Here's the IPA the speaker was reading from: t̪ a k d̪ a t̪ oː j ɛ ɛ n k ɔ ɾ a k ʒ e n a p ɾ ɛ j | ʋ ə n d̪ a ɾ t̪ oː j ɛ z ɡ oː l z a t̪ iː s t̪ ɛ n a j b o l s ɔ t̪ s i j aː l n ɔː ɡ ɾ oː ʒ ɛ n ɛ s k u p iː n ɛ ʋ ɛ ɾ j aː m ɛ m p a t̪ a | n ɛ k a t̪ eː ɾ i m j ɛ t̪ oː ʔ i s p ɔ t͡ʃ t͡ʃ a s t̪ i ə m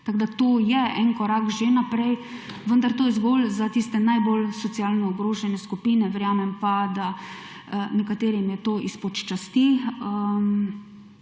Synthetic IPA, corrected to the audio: t̪ a ɡ d̪ a t̪ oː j ɛ ɛ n k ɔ ɾ a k ʒ e n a p ɾ ɛ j | ʋ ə n d̪ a ɾ t̪ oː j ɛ z ɡ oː l z a t̪ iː s t̪ ɛ n a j b o l s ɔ t̪ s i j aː l n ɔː ɡ ɾ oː ʒ ɛ n ɛ s k u p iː n ɛ ʋ ɛ ɾ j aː m ɛ m p a d̪ a | n ɛ k a t̪ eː ɾ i m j ɛ t̪ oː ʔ i s p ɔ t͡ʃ t͡ʃ a s t̪ i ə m

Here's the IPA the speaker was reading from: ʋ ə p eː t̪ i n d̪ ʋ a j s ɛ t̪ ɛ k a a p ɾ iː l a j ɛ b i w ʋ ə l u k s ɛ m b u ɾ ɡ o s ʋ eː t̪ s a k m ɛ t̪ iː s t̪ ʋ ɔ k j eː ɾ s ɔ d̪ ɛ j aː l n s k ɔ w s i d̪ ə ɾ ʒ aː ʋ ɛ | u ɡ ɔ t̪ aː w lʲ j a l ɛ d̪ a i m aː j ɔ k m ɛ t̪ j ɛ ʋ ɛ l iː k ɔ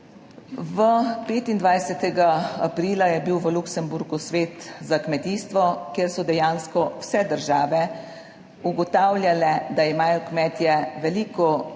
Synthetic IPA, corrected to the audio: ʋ ə p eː t̪ i n d̪ ʋ a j s ɛ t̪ ɛ ɡ a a p ɾ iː l a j ɛ b i w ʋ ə l u k s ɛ m b u ɾ ɡ u s ʋ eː t̪ z a k m ɛ t̪ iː s t̪ ʋ ɔ k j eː ɾ s ɔ d̪ ɛ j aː n s k ɔ w s ɛ d̪ ə ɾ ʒ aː ʋ ɛ | u ɡ ɔ t̪ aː w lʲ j a l ɛ d̪ a i m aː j ɔ k m ɛ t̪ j ɛ ʋ ɛ l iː k ɔ

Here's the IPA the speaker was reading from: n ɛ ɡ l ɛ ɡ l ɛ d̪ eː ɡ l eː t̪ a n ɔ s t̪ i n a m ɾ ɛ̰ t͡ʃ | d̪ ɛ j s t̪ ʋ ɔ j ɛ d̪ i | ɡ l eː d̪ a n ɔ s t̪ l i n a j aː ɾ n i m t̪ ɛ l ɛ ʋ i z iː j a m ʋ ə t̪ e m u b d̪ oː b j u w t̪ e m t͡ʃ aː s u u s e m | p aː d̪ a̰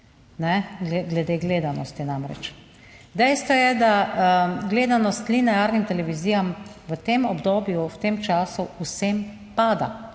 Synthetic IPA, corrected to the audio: n ɛ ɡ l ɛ ɡ l ɛ d̪ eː ɡ l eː d̪ a n ɔ s t̪ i n a m ɾ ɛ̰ t͡ʃ | d̪ ɛ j s t̪ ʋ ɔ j ɛ d̪ a | ɡ l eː d̪ a n ɔ s t̪ l i n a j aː ɾ n i m t̪ ɛ l ɛ ʋ i z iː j a m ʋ ə t̪ e m ɔ b d̪ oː b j u w t̪ e m t͡ʃ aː s u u s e m | p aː d̪ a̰

